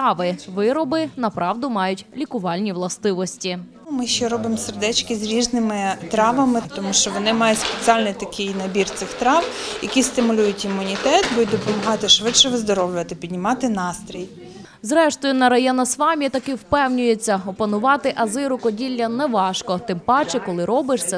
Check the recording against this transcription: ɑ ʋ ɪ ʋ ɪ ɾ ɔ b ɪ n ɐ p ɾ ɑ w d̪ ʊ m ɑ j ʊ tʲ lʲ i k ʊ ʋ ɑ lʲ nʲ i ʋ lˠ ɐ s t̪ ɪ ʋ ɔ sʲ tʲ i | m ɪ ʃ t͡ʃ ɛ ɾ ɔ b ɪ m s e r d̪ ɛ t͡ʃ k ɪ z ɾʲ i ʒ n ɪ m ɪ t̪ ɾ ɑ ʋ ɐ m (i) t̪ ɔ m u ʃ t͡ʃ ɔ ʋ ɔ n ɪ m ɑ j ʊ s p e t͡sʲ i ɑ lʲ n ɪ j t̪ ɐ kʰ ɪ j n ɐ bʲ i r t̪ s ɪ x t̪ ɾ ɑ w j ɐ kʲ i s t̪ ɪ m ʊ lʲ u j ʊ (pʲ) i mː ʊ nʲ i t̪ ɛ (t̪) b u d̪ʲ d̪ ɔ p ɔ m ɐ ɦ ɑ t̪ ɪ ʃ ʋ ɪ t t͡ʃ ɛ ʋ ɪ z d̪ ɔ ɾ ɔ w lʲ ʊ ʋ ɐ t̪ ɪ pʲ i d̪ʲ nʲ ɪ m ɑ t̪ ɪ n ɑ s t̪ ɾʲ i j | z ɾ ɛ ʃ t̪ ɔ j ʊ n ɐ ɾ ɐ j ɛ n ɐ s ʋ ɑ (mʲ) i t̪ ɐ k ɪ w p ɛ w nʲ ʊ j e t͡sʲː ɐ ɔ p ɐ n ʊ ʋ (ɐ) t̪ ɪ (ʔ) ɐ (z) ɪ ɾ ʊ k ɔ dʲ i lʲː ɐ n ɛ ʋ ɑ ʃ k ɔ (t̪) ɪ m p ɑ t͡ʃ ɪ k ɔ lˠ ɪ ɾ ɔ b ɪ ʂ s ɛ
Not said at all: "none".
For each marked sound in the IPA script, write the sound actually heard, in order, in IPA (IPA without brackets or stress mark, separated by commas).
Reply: ɪ, tʲ, t̪, mʲ, ɑ, ʔ, z, t̪